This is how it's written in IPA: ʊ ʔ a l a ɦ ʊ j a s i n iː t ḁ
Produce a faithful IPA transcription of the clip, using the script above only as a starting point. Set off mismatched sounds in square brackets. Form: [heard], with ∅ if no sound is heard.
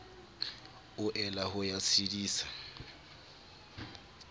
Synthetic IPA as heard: ʊ ʔ [ɛ] l a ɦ ʊ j a s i [d] iː [s] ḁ